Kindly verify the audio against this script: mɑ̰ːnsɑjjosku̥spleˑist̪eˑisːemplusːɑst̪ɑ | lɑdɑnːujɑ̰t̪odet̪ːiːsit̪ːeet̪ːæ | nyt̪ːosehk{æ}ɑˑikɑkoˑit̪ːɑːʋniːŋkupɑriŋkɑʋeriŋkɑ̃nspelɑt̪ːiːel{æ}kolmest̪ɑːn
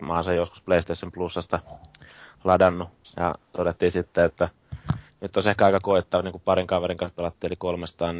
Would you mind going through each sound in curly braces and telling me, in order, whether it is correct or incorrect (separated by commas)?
correct, incorrect